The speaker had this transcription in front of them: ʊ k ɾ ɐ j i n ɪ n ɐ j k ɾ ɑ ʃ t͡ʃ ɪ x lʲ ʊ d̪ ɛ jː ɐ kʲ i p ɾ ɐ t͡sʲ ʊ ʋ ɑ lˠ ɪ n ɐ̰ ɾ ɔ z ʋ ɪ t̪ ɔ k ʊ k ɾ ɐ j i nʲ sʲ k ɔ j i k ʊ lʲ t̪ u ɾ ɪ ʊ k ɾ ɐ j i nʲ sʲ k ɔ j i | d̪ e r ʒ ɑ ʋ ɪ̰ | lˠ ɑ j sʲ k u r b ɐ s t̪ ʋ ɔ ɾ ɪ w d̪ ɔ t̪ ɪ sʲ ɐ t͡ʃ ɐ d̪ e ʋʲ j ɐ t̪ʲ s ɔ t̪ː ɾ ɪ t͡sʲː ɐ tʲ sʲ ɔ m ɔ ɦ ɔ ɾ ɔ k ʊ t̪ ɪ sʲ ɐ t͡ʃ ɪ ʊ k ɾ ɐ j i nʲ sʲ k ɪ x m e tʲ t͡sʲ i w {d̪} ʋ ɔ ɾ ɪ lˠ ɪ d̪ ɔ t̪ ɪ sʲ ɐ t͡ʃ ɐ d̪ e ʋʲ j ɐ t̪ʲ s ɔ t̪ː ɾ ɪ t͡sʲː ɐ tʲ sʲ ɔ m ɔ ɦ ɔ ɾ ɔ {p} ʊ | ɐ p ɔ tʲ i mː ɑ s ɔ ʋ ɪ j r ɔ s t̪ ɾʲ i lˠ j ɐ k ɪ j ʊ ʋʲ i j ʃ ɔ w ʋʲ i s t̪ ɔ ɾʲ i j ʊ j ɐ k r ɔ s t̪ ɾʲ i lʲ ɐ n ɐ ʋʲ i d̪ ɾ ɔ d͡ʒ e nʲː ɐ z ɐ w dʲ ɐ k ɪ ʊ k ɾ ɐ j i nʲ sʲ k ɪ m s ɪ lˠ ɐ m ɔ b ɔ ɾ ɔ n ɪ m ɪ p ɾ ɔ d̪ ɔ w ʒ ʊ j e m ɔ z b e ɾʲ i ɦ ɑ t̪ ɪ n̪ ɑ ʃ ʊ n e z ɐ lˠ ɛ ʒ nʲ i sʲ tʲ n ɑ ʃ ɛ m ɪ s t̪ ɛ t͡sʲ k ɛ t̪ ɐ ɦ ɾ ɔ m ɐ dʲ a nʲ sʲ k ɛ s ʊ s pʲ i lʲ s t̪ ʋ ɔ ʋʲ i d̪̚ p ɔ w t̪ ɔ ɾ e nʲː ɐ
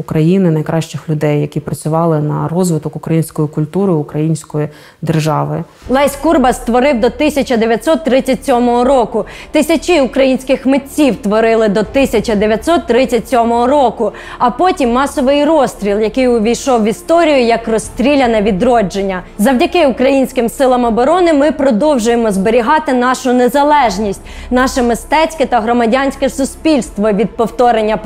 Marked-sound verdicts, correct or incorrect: incorrect, incorrect

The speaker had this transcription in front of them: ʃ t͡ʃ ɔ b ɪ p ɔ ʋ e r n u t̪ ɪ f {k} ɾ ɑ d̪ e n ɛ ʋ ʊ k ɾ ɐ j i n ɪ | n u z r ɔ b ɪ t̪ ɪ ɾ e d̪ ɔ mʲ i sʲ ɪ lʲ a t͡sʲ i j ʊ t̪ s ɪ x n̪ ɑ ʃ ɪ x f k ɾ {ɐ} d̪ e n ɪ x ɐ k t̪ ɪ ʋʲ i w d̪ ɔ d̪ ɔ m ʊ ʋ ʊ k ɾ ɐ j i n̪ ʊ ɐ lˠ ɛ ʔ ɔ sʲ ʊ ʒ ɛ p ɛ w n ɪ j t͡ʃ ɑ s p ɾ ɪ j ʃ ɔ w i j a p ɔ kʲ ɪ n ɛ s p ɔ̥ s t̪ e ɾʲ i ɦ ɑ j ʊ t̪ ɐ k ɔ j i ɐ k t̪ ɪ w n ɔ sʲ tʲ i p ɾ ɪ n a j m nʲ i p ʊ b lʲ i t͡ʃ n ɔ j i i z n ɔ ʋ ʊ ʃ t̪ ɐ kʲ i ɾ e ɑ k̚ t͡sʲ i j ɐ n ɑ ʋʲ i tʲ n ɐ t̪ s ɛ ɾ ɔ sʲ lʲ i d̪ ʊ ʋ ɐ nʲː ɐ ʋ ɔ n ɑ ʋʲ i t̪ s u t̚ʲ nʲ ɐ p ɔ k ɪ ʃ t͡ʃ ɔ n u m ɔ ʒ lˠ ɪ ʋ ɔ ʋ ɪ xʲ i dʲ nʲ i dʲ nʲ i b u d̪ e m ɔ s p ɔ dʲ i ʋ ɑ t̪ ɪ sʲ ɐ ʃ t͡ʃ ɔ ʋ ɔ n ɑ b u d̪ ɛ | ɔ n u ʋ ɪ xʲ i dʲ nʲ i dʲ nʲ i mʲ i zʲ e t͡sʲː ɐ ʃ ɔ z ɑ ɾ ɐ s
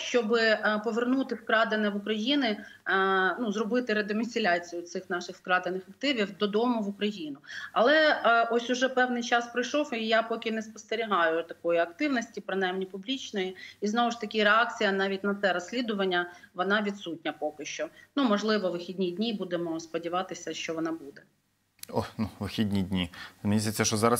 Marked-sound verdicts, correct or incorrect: correct, incorrect

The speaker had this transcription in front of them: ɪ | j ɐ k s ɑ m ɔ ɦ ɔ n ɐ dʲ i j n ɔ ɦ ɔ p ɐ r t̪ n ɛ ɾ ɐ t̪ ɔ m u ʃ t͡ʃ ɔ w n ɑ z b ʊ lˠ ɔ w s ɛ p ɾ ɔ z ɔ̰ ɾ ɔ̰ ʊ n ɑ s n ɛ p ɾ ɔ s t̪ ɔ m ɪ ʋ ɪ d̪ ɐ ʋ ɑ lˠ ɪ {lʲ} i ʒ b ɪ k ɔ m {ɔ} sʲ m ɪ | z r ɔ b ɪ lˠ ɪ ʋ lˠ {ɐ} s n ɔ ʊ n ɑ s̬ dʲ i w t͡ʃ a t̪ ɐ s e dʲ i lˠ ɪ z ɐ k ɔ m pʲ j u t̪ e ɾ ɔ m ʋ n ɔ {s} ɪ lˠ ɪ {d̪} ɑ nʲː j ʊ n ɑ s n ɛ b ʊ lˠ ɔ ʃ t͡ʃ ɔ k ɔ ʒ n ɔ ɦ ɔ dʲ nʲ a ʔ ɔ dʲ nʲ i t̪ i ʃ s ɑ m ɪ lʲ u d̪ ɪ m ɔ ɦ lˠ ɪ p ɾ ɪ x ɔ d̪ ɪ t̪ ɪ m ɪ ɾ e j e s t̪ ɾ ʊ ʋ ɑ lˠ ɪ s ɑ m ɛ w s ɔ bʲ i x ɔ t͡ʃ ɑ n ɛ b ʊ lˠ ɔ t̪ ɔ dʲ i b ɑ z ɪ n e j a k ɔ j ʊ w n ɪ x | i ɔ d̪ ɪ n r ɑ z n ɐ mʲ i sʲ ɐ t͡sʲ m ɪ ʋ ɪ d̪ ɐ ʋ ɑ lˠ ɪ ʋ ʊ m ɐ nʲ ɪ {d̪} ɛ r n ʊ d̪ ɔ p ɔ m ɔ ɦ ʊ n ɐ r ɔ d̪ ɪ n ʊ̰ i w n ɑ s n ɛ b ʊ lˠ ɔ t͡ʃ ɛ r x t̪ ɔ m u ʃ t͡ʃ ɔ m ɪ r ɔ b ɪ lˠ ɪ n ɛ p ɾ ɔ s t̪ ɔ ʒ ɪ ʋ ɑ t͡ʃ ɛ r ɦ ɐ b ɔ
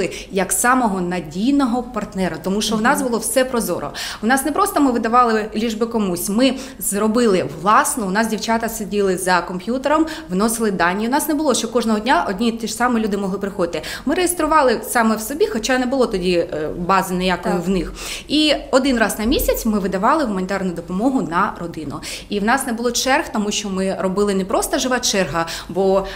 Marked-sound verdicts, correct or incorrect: correct, incorrect, incorrect, correct, correct, incorrect

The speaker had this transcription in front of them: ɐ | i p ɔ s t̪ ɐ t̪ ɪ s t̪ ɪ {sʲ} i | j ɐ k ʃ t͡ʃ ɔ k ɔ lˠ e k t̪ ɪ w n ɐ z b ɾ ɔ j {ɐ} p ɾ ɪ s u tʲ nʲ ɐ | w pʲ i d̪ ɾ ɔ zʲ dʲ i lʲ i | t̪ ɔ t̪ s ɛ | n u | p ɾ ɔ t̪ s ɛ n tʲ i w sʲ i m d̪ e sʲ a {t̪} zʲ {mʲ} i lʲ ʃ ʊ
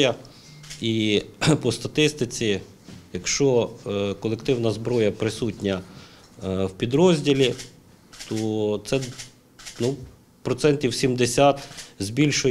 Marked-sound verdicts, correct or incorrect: incorrect, correct, correct, incorrect

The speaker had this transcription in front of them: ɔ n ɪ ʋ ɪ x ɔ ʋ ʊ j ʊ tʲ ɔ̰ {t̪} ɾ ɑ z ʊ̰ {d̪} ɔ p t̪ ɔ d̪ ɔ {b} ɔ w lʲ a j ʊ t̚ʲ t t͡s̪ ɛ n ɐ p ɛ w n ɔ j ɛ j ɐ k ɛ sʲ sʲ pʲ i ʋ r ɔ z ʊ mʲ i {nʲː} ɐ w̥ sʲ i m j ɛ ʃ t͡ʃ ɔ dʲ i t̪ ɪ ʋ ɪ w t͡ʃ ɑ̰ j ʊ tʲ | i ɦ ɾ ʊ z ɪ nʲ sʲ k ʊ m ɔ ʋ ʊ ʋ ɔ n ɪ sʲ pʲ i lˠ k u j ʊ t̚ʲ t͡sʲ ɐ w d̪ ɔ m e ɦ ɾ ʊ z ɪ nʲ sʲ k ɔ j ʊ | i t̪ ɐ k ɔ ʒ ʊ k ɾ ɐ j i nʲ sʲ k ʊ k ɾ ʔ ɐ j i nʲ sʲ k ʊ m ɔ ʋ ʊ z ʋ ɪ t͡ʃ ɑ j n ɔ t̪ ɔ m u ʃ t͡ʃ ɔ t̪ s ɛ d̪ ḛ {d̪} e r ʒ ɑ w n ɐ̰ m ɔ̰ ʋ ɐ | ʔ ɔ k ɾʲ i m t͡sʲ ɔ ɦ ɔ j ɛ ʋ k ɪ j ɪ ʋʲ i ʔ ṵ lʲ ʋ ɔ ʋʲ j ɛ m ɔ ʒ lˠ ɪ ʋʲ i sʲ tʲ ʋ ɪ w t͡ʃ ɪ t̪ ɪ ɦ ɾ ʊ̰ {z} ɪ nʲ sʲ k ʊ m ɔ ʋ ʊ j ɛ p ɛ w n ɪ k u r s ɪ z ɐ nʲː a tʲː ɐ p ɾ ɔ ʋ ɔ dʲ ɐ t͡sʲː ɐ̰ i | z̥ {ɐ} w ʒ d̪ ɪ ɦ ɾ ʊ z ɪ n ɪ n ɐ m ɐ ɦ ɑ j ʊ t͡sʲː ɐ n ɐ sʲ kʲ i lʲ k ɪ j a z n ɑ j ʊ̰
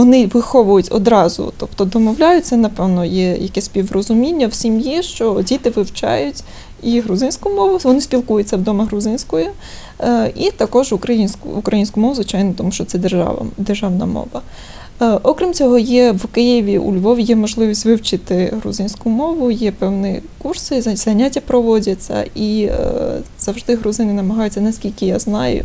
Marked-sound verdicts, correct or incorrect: incorrect, incorrect, incorrect, correct, correct, correct, correct

